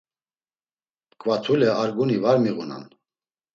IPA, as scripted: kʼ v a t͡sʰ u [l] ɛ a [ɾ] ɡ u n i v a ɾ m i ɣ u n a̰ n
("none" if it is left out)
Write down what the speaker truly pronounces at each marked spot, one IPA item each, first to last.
l, ɾ

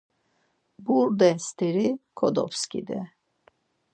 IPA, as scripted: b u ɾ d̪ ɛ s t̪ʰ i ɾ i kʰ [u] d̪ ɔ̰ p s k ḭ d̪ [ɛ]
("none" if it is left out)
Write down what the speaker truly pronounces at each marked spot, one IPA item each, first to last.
ɔ, ɛ

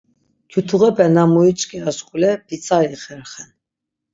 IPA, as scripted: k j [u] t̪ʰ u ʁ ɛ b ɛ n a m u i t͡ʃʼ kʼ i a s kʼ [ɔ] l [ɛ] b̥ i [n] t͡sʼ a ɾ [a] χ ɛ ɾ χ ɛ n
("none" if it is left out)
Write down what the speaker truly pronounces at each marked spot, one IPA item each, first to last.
u, u, ɛ, none, i

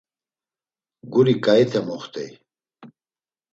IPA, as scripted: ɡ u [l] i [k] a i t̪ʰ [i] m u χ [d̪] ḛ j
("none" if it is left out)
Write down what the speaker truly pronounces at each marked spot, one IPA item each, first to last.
ɾ, k, e, t̪

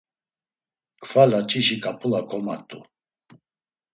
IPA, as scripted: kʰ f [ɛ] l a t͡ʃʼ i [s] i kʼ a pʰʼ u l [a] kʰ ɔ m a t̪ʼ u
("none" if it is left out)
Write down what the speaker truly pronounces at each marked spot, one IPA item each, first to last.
a, ʃ, a

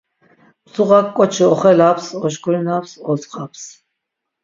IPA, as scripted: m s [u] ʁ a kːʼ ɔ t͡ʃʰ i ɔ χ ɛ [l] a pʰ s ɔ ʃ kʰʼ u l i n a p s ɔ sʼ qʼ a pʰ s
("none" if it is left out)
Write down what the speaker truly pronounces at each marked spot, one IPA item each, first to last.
u, l

